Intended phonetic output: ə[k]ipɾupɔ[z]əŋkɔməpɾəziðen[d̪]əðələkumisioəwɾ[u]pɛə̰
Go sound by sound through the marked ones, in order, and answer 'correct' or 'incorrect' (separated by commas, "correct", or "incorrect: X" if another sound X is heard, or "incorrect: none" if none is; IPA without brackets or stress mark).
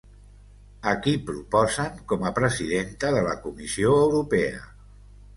correct, correct, incorrect: t̪, correct